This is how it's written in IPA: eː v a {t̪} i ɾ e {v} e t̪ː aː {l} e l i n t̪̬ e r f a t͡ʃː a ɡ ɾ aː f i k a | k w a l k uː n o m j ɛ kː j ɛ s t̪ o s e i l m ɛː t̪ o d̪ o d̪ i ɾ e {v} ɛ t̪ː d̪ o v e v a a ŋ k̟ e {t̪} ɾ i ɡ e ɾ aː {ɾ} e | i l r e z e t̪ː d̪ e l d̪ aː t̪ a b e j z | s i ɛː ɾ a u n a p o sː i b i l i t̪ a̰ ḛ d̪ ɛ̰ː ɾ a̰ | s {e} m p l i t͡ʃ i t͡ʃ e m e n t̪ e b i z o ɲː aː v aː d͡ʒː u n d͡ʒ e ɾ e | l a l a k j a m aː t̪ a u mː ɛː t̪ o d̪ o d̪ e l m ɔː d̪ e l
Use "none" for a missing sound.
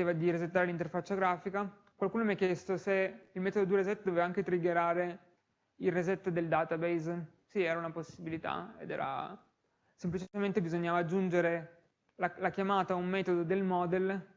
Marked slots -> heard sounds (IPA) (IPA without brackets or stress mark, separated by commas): d̪, z, ɾ, z, t̪, ɾ, e